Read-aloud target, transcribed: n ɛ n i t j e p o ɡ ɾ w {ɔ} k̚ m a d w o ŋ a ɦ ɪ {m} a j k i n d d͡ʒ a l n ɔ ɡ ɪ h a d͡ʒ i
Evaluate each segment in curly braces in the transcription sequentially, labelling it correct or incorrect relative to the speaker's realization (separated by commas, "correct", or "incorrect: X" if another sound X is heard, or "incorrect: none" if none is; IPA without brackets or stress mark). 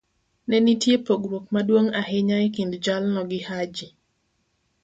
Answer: incorrect: o, incorrect: ɲ